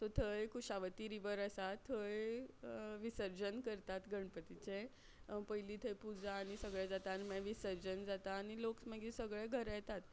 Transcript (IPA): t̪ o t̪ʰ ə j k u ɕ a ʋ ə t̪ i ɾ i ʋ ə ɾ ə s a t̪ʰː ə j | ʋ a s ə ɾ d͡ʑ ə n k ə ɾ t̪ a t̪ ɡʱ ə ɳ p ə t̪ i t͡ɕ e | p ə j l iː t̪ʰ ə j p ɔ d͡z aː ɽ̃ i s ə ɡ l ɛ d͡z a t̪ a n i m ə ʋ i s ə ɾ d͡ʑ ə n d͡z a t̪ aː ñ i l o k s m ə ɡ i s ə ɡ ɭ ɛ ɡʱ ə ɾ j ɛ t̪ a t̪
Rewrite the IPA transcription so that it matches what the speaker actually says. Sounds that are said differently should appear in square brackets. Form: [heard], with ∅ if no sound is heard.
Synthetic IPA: t̪ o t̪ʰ ə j k u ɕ a ʋ ə t̪ i ɾ i ʋ ə ɾ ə s a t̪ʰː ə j | ʋ [i] s ə ɾ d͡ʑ ə n k ə ɾ t̪ a t̪ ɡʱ ə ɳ p ə t̪ i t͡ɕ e | p ə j l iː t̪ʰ ə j p [u] d͡z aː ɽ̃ i s ə ɡ [ɭ] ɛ d͡z a t̪ a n i m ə ʋ i s ə ɾ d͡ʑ ə n d͡z a t̪ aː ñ i l o k s m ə ɡ i s ə ɡ ɭ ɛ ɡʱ ə ɾ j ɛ t̪ a t̪